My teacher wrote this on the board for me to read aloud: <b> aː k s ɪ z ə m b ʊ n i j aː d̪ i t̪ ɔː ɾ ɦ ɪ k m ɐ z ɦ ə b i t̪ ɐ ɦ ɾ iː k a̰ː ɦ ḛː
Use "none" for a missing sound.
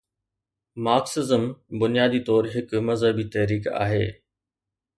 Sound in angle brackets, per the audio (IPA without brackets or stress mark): m